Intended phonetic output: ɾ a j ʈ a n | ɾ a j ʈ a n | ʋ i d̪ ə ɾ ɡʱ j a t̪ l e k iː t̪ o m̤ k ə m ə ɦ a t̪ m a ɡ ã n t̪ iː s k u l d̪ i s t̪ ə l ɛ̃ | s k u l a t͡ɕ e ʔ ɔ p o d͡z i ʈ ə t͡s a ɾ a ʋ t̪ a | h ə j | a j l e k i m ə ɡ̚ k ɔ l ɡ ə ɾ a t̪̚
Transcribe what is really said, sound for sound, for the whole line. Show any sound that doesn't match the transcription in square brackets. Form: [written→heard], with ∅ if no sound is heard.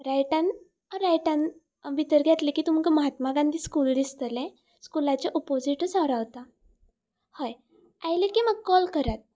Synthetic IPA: ɾ a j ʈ a n | ɾ a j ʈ a n | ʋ i [d̪→t̪] ə ɾ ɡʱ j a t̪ l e k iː t̪ [o→u] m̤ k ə m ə ɦ a t̪ m a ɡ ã n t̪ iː s k u l d̪ i s t̪ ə l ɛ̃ | s k u l a t͡ɕ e ʔ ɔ p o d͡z i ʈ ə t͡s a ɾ a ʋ t̪ a | h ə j | a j l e k i m ə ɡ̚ k ɔ l [ɡ→k] ə ɾ a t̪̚